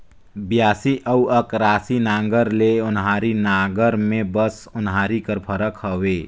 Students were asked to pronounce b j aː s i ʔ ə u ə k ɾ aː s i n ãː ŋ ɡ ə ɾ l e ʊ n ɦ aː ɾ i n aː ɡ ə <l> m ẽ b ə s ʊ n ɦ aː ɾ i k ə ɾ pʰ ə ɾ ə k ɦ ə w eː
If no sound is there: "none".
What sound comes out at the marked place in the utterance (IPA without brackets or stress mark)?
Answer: ɾ